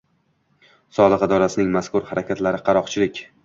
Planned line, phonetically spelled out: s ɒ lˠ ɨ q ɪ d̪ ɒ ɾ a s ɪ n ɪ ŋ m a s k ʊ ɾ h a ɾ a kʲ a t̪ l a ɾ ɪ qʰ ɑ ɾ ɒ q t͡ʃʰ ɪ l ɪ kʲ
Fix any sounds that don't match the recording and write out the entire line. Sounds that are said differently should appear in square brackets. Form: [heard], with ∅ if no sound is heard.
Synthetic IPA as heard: s ɒ lˠ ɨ q ɪ d̪ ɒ ɾ a s ɪ n ɪ ŋ m a s k ʊ ɾ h a ɾ a kʲ a t̪ l a ɾ ɪ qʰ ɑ ɾ ɒ q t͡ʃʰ ɪ l ɪ kʲ